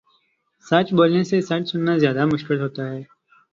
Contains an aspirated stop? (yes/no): no